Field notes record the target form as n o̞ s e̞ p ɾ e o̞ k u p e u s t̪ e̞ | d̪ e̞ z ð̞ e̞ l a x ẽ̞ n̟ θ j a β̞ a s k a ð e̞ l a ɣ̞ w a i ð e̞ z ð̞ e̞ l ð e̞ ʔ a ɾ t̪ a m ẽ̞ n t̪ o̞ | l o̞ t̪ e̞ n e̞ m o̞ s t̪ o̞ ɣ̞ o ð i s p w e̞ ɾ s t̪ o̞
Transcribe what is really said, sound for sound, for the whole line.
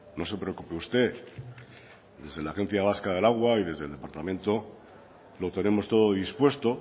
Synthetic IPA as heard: n o̞ s e̞ p ɾ e o̞ k u p e u s t̪ e̞ | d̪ e̞ z ð̞ e̞ l a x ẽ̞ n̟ θ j a β̞ a s k a ð e̞ l a ɣ̞ w a i ð e̞ z ð̞ e̞ l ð e̞ p a ɾ t̪ a m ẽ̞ n t̪ o̞ | l o̞ t̪ e̞ n e̞ m o̞ s t̪ o̞ ð̞ o ð i s p w e̞ s t̪ o̞